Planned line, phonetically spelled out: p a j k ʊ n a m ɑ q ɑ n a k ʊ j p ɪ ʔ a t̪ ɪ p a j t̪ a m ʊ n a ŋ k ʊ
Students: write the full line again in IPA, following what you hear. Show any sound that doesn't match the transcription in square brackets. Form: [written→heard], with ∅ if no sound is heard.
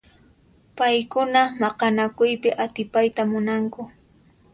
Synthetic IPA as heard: p a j k ʊ n a m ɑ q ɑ n a k ʊ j p ɪ ʔ a t̪ ɪ p a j t̪ a m ʊ n a ŋ k ʊ